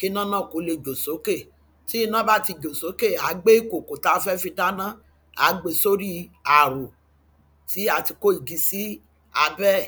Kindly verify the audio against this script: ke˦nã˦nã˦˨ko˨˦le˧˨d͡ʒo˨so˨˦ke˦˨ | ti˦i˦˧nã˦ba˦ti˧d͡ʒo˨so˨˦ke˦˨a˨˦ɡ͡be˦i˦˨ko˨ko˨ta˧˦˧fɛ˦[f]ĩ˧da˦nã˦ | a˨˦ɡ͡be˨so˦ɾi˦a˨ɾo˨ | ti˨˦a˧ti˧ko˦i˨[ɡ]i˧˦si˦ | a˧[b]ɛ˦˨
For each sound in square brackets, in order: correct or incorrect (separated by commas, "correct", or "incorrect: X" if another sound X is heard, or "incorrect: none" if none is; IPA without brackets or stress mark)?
correct, correct, correct